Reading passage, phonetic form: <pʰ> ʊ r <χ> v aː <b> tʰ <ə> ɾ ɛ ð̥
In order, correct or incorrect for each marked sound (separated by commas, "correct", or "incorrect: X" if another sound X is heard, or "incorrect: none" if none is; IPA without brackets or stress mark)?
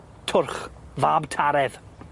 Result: incorrect: tʰ, correct, correct, incorrect: a